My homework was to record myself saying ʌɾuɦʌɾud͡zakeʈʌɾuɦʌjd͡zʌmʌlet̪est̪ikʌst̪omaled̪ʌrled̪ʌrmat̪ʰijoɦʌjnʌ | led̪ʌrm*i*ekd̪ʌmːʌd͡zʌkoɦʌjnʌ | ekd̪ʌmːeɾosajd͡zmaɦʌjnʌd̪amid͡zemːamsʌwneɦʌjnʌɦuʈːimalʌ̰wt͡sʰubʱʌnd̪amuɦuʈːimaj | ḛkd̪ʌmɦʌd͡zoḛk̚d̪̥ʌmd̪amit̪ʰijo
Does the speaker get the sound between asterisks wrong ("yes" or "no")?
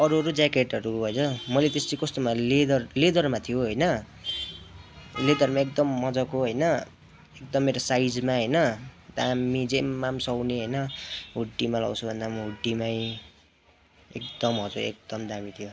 yes